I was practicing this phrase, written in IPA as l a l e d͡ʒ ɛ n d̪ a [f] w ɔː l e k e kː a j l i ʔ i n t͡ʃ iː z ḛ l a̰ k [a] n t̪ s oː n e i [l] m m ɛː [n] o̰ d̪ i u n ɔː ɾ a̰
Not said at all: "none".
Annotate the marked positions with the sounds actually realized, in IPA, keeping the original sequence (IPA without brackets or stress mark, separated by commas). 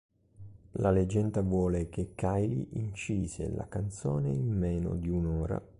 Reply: v, a, none, n